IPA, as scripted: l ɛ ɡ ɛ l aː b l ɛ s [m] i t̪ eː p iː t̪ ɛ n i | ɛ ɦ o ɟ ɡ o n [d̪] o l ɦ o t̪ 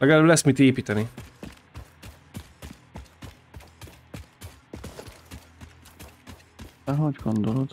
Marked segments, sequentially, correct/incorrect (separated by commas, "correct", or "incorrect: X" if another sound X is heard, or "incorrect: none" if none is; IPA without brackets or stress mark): correct, correct